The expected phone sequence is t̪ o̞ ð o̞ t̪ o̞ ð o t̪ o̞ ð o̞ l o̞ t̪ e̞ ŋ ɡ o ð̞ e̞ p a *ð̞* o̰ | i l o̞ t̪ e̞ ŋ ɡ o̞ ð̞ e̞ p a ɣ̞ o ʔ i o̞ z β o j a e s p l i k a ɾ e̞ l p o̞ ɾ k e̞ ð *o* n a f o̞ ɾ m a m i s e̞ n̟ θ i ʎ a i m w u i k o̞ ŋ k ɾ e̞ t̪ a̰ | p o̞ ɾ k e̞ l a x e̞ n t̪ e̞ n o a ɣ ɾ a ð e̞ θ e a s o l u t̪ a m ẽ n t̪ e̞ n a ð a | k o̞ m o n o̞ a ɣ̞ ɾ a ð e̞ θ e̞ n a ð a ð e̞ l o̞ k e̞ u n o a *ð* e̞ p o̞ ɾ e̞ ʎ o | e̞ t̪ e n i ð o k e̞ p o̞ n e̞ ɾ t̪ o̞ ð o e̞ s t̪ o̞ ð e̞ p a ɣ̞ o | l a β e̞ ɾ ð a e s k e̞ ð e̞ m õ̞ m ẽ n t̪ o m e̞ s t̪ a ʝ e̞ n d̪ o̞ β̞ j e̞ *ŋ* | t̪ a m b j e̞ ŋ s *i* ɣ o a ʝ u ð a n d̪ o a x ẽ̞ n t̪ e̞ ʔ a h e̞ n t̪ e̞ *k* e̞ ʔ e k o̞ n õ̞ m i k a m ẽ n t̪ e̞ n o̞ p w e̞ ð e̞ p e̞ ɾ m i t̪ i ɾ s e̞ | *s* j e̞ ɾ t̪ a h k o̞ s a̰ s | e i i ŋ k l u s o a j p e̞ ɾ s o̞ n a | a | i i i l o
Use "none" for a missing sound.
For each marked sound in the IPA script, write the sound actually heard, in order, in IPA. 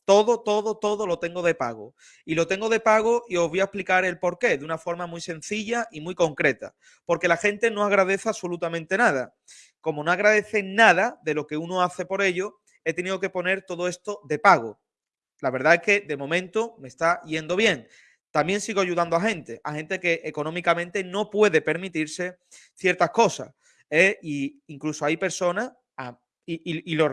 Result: ɣ̞, u, θ, ŋ, i, k, θ

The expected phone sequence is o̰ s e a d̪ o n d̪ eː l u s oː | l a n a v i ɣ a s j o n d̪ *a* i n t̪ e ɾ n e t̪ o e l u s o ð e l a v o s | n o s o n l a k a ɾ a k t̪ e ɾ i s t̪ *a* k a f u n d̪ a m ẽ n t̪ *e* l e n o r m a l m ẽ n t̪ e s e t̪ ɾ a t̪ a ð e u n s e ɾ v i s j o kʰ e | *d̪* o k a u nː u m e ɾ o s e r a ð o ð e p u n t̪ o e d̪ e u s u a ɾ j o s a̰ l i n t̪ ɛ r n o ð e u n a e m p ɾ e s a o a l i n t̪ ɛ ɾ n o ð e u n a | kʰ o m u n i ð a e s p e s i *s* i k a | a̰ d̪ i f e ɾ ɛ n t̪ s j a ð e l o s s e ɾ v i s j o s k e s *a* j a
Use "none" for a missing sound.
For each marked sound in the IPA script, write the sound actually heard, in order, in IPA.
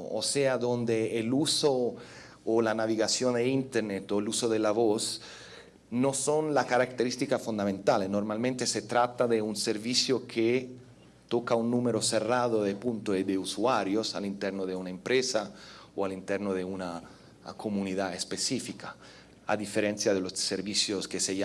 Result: e, i, a, t̪, f, e

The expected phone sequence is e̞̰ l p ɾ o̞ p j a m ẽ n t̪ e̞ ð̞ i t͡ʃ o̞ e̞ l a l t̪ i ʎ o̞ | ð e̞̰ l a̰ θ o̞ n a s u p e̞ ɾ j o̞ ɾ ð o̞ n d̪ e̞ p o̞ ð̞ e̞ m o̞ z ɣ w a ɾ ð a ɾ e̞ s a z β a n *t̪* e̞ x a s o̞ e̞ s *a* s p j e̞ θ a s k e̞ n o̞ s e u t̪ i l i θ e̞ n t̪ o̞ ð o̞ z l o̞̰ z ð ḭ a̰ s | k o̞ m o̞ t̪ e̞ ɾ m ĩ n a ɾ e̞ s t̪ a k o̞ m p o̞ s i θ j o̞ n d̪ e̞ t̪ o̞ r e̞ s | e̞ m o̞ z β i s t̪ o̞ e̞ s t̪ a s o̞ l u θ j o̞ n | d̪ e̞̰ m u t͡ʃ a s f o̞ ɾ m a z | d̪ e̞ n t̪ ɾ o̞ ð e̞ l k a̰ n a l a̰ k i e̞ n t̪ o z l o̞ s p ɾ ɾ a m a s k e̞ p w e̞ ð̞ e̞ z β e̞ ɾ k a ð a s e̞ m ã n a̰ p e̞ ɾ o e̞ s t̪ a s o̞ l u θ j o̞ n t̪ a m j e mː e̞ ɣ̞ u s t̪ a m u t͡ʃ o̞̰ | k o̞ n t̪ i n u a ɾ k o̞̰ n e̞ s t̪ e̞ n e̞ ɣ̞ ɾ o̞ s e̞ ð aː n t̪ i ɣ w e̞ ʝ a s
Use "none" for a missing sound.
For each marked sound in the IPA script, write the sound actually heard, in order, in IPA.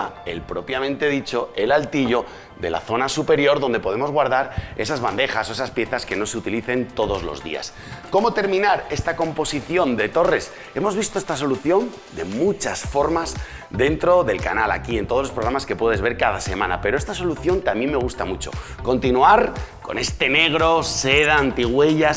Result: d̪, a

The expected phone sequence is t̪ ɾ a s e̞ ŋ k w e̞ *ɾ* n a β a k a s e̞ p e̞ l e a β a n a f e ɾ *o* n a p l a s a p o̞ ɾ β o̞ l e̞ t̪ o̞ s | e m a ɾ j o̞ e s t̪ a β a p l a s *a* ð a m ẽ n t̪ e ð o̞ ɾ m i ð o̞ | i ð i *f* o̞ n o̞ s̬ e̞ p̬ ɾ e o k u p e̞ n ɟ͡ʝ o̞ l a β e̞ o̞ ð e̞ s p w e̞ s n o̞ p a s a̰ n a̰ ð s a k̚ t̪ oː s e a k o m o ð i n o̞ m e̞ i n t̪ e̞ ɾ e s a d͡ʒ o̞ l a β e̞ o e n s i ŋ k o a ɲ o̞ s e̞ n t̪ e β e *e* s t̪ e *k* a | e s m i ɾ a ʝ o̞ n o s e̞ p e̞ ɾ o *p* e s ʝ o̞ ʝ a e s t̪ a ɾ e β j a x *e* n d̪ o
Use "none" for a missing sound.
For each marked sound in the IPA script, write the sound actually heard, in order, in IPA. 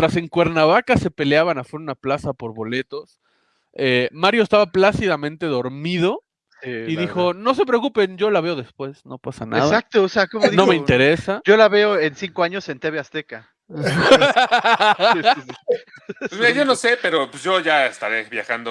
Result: ɾ, u, i, x, a, k, p, a

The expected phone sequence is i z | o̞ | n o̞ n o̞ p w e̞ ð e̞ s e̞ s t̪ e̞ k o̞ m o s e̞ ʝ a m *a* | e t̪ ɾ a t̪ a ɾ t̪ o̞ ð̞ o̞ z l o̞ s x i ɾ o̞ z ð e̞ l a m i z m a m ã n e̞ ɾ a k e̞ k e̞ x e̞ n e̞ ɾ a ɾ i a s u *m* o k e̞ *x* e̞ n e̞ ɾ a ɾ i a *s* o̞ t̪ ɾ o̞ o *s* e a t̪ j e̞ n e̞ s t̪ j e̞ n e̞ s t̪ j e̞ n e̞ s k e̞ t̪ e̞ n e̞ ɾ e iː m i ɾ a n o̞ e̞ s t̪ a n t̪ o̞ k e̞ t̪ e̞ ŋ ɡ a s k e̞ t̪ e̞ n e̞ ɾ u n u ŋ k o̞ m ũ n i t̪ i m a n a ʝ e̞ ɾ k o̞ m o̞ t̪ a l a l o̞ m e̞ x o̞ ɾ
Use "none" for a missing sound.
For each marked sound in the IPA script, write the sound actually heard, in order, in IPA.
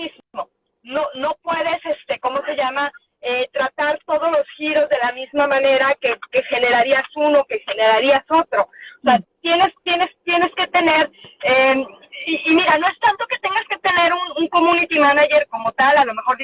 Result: a, n, x, s, s

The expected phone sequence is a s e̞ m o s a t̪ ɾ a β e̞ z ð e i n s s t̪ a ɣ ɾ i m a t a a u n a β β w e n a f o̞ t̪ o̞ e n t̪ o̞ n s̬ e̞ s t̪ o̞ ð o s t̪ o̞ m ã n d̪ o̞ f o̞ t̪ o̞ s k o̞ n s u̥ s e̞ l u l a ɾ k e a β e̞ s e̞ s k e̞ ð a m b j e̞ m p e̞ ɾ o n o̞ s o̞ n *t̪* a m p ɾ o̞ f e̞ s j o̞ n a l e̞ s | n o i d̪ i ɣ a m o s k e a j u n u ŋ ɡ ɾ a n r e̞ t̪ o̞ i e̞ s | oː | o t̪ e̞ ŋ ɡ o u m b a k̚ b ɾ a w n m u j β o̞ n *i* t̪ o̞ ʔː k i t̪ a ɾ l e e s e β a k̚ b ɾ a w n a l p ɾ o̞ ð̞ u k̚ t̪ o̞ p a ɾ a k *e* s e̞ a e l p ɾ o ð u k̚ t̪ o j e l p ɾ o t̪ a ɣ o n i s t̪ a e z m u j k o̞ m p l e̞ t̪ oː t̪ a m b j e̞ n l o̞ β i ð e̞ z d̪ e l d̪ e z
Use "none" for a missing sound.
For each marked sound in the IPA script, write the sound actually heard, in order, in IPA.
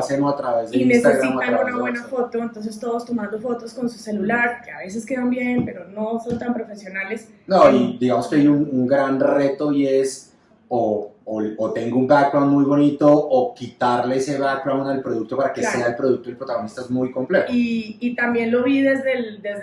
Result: t̪, i, e

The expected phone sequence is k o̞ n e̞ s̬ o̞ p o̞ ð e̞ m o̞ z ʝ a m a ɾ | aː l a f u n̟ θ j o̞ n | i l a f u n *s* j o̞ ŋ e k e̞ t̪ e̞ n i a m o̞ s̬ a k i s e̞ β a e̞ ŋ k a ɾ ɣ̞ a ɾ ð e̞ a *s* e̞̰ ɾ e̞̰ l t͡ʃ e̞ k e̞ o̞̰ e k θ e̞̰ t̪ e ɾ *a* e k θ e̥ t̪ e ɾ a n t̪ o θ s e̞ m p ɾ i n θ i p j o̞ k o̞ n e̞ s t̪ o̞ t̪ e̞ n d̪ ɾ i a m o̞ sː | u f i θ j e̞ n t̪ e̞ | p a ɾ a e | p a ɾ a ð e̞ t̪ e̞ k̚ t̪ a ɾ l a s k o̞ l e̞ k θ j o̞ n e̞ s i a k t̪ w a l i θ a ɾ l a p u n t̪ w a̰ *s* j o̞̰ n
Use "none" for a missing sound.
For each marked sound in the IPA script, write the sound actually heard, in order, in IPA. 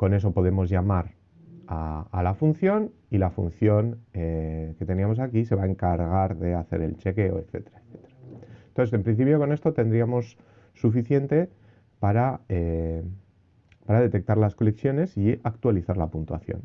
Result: θ, θ, a, θ

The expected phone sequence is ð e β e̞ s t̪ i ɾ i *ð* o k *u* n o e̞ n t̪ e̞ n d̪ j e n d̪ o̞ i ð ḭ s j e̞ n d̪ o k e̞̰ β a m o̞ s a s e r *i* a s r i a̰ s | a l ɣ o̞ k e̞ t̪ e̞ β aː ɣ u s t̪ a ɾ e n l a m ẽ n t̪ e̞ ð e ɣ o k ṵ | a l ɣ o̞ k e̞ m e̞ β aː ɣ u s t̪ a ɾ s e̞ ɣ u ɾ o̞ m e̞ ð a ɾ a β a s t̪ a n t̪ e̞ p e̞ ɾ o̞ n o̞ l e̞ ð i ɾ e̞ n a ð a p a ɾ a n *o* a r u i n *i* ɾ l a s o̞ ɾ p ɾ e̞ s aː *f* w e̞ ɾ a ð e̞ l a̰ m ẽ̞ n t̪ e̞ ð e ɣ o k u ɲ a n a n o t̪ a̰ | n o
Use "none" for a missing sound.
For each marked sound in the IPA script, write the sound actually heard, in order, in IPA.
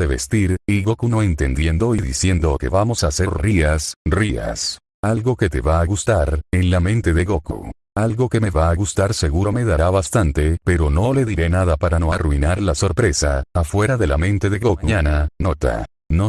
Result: ɣ, u, i, o, a, f

